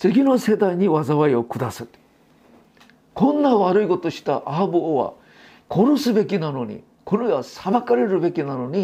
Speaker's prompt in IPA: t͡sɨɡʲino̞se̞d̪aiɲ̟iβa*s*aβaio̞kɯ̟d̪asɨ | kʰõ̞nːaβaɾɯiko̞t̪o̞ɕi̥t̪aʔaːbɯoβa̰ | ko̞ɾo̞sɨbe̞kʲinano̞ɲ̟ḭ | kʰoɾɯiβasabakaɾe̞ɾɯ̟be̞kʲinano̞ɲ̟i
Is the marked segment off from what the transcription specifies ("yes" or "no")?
yes